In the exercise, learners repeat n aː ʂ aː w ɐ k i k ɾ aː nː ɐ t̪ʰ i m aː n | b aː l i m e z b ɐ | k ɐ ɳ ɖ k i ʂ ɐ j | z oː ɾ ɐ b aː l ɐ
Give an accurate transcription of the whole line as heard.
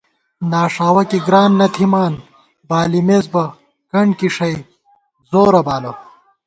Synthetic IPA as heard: n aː ʂ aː w ɐ k i ɡ ɾ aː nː ɐ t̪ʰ i m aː n | b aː l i m e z b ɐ | k ɐ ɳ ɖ k i ʂ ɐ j | z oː ɾ ɐ b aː l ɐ